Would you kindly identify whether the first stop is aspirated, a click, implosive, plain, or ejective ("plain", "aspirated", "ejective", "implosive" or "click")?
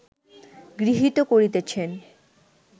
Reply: plain